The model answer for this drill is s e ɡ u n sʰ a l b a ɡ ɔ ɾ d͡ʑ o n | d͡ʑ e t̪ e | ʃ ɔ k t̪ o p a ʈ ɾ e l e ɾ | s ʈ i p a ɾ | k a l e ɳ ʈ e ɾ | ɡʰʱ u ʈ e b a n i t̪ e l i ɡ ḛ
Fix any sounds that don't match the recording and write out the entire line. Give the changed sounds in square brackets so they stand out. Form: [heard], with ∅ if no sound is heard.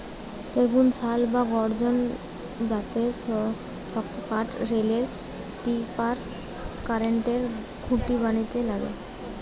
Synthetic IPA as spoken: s e ɡ u n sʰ a l b a ɡ ɔ ɾ d͡ʑ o n | d͡ʑ [a] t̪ e | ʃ ɔ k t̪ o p a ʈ ɾ e l e ɾ | s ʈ i p a ɾ | k a [ɾ] e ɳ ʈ e ɾ | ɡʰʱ u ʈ [i] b a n i t̪ e l [a] ɡ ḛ

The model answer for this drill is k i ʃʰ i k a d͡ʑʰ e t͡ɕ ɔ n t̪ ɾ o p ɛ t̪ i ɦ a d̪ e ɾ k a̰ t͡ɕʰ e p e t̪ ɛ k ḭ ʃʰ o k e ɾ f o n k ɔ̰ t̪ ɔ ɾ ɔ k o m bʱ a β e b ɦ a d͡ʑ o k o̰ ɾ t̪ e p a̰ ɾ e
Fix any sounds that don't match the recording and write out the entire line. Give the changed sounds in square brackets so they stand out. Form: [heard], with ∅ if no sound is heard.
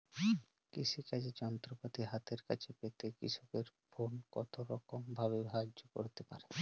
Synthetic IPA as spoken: k i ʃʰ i k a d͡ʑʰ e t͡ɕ ɔ n t̪ ɾ o p [a] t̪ i ɦ a [t̪] e ɾ k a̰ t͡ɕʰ e p e t̪ [e] k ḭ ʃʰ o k e ɾ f o n k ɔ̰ t̪ [o] ɾ ɔ k o m bʱ a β e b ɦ a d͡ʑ o k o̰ ɾ t̪ e p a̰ ɾ e

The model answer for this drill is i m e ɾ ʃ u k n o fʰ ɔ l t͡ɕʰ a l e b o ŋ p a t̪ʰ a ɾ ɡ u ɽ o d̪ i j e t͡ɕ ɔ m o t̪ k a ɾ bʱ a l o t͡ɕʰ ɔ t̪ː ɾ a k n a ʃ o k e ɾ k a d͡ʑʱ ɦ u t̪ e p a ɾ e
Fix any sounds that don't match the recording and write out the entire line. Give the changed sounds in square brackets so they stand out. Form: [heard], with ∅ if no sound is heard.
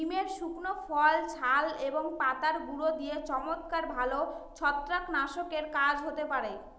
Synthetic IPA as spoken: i m e ɾ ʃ u k n o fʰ ɔ l t͡ɕʰ a l e b o ŋ p a [t̪] a ɾ ɡ u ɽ o d̪ i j e t͡ɕ ɔ m o t̪ k a ɾ bʱ a l o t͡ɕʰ ɔ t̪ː ɾ a k n a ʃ o k e ɾ k a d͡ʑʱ ɦ [o] t̪ e p a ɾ e

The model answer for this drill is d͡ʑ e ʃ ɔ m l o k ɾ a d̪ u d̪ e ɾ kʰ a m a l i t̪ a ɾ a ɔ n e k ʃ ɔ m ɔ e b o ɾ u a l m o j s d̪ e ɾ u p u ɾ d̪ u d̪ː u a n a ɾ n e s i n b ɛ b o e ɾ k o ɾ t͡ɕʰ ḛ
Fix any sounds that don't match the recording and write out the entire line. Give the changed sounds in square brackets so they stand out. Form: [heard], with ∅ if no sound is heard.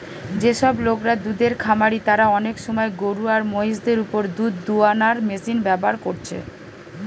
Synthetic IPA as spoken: d͡ʑ e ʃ ɔ [b] l o k ɾ a d̪ u d̪ e ɾ kʰ a m a [ɾ] i t̪ a ɾ a ɔ n e k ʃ ɔ m ɔ e [ɡ] o ɾ u a [ɾ] m o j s d̪ e ɾ u p [o] ɾ d̪ u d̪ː u a n a ɾ [m] e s i n b ɛ b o [a] ɾ k o ɾ t͡ɕʰ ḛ

